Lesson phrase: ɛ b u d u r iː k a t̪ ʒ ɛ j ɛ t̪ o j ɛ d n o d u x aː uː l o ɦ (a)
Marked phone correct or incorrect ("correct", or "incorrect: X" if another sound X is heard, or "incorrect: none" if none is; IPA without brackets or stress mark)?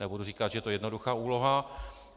correct